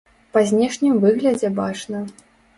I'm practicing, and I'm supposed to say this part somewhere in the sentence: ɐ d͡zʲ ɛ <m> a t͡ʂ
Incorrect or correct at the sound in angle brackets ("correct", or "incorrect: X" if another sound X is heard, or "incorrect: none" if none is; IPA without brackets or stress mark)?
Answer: incorrect: b